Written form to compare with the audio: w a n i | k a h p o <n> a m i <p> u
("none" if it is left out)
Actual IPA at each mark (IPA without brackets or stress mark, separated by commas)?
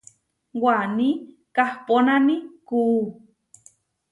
n, k